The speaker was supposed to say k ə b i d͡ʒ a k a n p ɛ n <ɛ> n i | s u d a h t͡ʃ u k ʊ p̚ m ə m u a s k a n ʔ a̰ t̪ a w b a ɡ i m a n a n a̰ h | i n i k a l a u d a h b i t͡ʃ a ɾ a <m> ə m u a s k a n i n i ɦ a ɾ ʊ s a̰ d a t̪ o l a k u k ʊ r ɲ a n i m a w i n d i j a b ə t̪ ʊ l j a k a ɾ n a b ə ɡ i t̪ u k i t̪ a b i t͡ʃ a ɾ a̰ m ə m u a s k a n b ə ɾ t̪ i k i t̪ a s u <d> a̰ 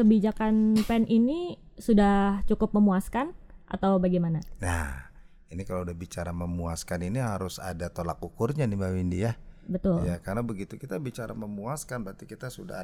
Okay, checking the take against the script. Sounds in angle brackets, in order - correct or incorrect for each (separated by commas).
incorrect, correct, correct